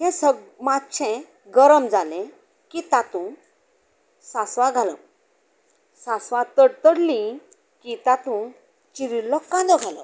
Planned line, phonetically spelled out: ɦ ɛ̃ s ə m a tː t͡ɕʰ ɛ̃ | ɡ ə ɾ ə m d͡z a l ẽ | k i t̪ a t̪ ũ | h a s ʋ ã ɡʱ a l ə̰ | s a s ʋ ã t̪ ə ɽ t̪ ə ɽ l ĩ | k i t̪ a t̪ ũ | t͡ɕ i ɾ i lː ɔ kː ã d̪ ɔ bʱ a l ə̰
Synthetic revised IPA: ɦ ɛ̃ s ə m a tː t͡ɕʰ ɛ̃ | ɡ ə ɾ ə m d͡z a l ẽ | k i t̪ a t̪ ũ | s a s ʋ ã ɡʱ a l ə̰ | s a s ʋ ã t̪ ə ɽ t̪ ə ɽ l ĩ | k i t̪ a t̪ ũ | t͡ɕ i ɾ i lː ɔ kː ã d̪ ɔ ɡʱ a l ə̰

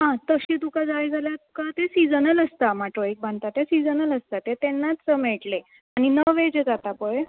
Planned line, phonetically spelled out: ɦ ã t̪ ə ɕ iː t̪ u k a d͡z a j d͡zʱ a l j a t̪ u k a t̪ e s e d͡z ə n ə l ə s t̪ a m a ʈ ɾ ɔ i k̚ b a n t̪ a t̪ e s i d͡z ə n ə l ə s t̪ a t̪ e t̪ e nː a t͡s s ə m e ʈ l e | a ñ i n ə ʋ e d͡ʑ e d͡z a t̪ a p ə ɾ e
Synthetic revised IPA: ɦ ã t̪ ə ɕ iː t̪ u k a d͡z a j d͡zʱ a l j a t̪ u k a t̪ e s i d͡z ə n ə l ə s t̪ a m a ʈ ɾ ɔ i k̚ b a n t̪ a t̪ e s i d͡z ə n ə l ə s t̪ a t̪ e t̪ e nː a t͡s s ə m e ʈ l e | a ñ i n ə ʋ e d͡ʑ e d͡z a t̪ a p ə ɭ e

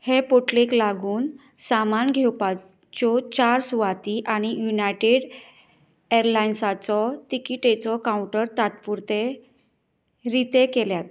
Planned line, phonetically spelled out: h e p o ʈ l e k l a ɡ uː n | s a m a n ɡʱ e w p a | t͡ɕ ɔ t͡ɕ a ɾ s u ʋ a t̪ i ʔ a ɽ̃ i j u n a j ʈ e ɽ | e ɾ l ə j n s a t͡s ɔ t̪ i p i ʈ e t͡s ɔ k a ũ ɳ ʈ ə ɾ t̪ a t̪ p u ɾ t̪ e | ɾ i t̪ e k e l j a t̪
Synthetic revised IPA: h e p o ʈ l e k l a ɡ uː n | s a m a n ɡʱ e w p a | t͡ɕ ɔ t͡ɕ a ɾ s u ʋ a t̪ i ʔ a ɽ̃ i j u n a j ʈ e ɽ | e ɾ l a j n s a t͡s ɔ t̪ i k i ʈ e t͡s ɔ k a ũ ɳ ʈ ə ɾ t̪ a t̪ p u ɾ t̪ e | ɾ i t̪ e k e l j a t̪

